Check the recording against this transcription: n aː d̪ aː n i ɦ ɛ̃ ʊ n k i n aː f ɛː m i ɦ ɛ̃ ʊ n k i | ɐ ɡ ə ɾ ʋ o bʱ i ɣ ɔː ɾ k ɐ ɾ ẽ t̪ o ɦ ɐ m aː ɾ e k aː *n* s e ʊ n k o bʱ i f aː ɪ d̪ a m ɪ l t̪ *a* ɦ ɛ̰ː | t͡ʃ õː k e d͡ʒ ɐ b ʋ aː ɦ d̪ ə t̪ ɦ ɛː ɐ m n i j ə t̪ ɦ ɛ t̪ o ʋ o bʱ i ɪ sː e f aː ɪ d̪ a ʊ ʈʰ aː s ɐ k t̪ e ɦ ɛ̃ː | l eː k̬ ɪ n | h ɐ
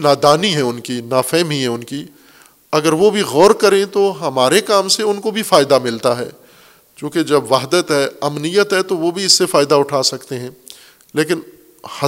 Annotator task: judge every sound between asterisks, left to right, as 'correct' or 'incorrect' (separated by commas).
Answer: incorrect, correct